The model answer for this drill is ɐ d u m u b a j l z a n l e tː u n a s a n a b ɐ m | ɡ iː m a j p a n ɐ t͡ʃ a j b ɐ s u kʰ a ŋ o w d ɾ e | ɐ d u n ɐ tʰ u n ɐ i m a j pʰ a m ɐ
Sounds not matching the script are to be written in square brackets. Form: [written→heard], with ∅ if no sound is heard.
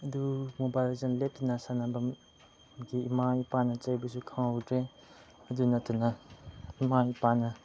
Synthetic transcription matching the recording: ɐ d u m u b a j l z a n l e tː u n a s a n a b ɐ m | ɡ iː m a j p a n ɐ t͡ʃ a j b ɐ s u kʰ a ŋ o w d ɾ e | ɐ d u n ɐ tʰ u n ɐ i m a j [pʰ→p] a [m→n] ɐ